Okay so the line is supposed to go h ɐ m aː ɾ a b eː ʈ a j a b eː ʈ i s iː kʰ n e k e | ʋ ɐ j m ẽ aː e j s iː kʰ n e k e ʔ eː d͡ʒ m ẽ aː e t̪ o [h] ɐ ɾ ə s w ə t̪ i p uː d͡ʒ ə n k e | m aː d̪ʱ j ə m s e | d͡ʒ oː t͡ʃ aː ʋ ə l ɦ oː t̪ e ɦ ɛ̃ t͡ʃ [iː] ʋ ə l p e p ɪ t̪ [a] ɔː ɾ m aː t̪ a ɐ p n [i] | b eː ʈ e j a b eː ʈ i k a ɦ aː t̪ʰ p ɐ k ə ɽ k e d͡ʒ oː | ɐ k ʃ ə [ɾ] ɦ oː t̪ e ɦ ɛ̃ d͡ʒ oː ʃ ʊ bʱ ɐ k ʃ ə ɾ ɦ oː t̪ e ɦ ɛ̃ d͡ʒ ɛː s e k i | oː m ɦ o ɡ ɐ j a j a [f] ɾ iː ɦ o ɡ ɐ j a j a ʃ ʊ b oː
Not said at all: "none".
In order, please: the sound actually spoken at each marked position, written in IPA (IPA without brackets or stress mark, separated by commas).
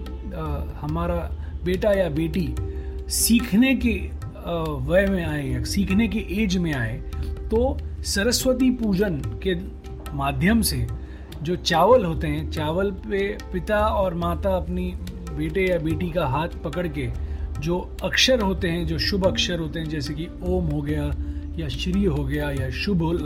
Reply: s, aː, a, i, ɾ, ʃ